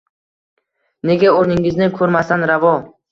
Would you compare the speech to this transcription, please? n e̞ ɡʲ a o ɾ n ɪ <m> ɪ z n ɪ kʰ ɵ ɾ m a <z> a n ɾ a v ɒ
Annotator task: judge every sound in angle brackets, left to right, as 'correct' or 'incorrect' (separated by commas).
incorrect, incorrect